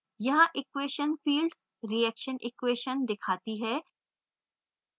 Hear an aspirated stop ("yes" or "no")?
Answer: yes